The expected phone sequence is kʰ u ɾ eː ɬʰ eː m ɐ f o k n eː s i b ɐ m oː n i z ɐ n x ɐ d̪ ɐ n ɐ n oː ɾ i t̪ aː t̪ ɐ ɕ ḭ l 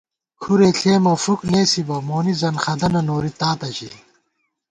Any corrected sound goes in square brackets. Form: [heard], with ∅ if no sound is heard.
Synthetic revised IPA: kʰ u ɾ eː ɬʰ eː m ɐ f [u] k n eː s i b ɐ m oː n i z ɐ n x ɐ d̪ ɐ n ɐ n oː ɾ i t̪ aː t̪ ɐ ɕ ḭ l

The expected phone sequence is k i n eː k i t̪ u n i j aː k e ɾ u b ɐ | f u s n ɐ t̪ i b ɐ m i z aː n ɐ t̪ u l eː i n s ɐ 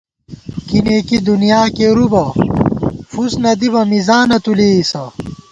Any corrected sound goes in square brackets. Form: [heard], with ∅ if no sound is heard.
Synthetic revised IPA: k i n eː k i [d̪] u n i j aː k e ɾ u b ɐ | f u s n ɐ [d̪] i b ɐ m i z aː n ɐ t̪ u l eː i [∅] s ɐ

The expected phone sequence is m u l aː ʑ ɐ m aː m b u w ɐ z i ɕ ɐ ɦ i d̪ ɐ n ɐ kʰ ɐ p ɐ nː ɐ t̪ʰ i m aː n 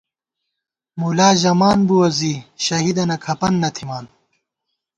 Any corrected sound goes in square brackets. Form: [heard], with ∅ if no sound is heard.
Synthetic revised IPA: m u l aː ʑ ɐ m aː [n] b u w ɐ z i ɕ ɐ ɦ i d̪ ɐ n ɐ kʰ ɐ p ɐ nː ɐ t̪ʰ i m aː n

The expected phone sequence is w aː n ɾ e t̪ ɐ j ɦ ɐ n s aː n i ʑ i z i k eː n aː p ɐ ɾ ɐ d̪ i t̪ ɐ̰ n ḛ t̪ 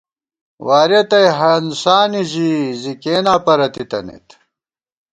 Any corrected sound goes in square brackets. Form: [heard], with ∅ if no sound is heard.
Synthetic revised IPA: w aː [∅] ɾ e t̪ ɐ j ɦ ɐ n s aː n i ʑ i z i k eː n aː p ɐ ɾ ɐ [t̪] i t̪ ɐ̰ n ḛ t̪

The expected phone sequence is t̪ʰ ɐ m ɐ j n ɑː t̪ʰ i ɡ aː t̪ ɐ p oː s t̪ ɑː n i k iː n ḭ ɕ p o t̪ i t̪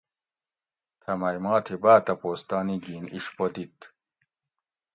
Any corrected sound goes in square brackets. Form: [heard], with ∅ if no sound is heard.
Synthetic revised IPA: t̪ʰ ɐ m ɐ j [m] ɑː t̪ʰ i [b] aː t̪ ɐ p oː s t̪ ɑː n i [ɡ] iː n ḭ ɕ p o [d̪] i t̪

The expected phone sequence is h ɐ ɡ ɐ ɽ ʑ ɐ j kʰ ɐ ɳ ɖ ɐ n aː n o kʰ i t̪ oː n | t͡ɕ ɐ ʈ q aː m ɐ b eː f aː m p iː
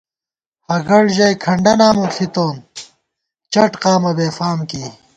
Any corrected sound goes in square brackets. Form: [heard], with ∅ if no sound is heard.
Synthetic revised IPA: h ɐ ɡ ɐ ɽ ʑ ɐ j kʰ ɐ ɳ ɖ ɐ n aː [m] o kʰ i t̪ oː n | t͡ɕ ɐ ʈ q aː m ɐ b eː f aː m [k] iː

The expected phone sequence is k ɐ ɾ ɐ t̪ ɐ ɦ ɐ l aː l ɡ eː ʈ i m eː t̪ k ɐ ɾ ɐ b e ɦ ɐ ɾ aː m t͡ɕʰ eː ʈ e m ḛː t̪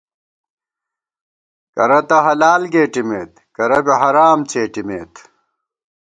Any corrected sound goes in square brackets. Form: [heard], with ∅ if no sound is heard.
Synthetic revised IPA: k ɐ ɾ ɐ t̪ ɐ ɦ ɐ l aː l ɡ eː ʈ i m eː t̪ k ɐ ɾ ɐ b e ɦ ɐ ɾ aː m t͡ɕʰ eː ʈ [i] m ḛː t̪

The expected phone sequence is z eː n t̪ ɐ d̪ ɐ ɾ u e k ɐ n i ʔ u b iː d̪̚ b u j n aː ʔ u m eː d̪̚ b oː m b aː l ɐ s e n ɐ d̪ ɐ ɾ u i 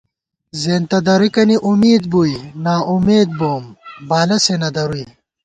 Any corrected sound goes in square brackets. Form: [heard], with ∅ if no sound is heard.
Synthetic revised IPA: z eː n t̪ ɐ d̪ ɐ ɾ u [i] k ɐ n i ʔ u [m] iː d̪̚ b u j n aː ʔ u m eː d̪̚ b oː m b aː l ɐ s e n ɐ d̪ ɐ ɾ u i

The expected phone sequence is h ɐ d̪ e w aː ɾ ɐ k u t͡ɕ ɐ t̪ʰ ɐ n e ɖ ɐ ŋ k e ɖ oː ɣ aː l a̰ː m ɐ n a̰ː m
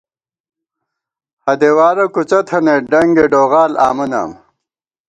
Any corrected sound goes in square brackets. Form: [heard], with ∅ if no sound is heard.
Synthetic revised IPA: h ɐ d̪ e w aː ɾ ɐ k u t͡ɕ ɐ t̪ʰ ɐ n e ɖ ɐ ŋ [ɡ] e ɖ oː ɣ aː l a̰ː m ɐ n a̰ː m

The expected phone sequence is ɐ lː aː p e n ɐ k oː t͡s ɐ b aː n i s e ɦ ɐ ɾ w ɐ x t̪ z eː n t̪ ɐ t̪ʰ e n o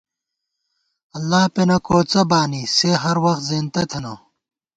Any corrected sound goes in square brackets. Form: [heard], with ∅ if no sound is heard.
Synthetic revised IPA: ɐ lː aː p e n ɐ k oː t͡s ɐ b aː n i s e ɦ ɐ ɾ w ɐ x t̪ z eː n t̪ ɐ t̪ʰ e n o

